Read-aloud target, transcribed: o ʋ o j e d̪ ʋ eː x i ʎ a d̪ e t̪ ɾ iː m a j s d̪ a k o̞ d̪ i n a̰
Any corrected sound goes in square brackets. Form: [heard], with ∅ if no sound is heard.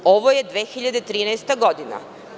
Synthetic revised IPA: o ʋ o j e d̪ ʋ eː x i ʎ a d̪ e t̪ ɾ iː [n] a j s [t̪] a [ɡ] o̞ d̪ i n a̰